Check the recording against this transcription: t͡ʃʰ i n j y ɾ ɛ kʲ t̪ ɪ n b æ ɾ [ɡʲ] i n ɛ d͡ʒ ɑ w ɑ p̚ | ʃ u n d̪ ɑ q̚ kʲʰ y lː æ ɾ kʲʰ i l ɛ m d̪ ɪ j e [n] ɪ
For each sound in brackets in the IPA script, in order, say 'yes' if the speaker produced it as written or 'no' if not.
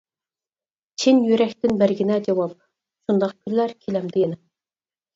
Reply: yes, yes

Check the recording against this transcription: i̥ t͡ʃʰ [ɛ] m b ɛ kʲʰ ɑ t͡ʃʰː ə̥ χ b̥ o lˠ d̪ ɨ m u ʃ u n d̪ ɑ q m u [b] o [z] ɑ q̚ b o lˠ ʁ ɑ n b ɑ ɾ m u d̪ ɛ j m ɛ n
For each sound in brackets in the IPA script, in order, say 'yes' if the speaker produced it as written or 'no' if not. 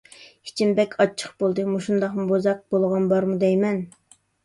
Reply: no, yes, yes

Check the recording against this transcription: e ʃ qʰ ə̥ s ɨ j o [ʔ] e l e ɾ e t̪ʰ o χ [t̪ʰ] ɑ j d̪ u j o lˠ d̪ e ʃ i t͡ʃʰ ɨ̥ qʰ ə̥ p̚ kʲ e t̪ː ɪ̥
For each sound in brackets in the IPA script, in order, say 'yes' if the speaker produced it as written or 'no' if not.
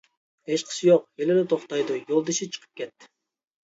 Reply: no, no

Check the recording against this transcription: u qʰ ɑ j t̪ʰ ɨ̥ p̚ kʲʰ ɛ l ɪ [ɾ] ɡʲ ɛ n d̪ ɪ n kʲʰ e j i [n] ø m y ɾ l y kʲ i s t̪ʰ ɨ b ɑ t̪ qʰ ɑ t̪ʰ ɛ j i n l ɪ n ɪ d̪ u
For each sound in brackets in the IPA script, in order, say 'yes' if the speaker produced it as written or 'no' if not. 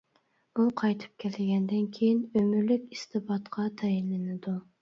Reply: no, yes

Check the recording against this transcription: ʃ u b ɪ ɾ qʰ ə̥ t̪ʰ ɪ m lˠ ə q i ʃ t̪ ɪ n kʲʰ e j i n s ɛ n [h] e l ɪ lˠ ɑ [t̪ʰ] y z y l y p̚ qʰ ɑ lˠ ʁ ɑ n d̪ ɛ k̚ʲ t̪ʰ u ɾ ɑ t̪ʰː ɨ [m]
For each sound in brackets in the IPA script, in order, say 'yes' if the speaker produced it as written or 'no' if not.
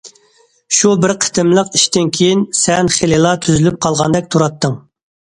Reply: no, yes, no

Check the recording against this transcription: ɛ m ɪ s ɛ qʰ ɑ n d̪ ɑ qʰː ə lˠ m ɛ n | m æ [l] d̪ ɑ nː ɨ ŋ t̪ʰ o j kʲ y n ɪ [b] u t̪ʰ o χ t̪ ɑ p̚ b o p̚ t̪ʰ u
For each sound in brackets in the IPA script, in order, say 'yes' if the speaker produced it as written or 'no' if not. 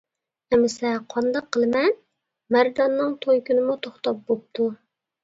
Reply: no, no

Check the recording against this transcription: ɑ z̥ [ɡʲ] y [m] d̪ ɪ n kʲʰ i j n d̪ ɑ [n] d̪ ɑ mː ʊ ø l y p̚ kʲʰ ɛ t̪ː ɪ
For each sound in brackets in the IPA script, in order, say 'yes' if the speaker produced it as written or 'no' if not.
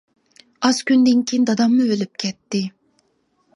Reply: no, no, no

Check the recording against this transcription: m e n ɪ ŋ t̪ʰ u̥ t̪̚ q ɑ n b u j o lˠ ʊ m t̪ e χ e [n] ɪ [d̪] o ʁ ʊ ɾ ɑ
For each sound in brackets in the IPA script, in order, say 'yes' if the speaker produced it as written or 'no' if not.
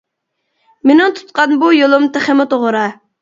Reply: no, no

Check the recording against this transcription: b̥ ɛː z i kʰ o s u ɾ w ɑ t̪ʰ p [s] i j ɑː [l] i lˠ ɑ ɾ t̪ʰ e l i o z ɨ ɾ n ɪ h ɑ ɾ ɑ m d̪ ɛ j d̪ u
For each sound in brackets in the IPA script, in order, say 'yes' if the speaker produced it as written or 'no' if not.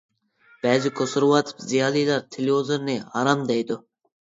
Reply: no, yes

